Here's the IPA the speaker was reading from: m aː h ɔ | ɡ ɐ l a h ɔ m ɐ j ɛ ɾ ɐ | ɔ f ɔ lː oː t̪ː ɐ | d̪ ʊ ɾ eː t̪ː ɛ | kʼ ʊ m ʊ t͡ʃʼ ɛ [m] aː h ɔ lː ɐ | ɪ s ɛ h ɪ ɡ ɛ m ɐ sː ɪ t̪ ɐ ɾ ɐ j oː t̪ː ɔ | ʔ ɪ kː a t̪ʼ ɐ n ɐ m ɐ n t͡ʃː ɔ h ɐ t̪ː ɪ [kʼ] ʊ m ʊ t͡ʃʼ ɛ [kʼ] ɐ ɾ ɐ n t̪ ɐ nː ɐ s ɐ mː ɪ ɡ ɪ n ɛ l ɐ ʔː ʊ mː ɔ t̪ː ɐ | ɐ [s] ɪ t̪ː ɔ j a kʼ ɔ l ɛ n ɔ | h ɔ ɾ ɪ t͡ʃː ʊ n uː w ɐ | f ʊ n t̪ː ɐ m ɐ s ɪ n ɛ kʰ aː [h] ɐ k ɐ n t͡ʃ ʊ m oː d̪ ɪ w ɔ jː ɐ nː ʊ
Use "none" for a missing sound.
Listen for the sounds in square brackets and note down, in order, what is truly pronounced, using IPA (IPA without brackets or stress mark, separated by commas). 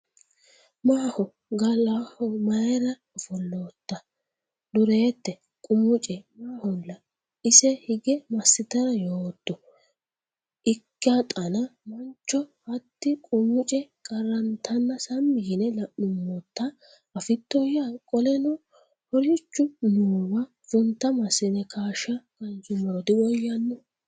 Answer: m, kʼ, kʼ, f, ʃ